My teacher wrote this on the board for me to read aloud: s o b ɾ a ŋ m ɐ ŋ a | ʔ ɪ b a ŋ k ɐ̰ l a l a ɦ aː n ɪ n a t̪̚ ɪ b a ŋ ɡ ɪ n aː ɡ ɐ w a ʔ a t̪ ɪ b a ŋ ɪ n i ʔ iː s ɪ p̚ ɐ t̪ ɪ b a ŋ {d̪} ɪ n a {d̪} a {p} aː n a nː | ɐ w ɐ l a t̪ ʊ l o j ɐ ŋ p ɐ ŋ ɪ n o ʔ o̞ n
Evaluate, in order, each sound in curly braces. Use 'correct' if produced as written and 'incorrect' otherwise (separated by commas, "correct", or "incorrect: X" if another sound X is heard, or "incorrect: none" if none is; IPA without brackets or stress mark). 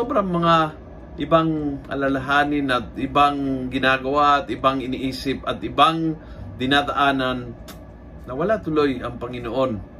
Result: correct, correct, incorrect: ʔ